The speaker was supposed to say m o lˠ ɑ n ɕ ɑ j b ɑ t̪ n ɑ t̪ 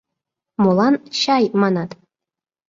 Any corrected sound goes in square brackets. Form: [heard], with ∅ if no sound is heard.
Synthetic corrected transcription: m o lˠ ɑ n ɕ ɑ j [m] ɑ [∅] n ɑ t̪